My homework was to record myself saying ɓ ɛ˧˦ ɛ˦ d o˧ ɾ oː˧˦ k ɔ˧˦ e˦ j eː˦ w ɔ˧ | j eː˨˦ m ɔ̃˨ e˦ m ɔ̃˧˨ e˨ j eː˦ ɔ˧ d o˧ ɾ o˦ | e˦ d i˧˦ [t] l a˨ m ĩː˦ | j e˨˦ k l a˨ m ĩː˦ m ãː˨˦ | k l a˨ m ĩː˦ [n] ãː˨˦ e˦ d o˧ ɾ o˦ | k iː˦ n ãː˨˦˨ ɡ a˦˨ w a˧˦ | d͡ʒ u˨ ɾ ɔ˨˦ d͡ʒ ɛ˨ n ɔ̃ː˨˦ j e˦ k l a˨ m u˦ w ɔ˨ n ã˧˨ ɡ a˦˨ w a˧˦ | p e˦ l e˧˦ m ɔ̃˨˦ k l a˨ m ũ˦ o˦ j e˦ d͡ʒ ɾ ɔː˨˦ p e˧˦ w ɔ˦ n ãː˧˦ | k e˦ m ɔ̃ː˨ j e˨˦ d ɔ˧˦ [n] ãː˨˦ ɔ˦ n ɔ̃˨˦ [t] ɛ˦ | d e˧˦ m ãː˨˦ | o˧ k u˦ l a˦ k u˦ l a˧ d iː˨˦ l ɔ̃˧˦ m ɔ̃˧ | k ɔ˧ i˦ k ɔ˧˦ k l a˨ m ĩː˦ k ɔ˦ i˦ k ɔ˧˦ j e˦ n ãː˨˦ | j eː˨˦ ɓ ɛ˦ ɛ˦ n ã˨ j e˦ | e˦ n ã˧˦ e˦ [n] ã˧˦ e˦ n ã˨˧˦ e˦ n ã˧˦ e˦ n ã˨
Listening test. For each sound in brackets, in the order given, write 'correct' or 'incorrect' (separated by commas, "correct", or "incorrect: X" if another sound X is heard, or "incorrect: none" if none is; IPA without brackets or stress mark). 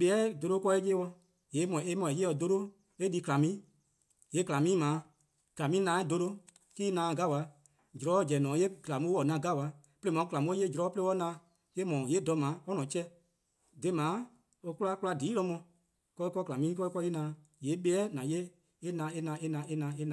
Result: incorrect: k, correct, incorrect: m, incorrect: t͡ʃ, correct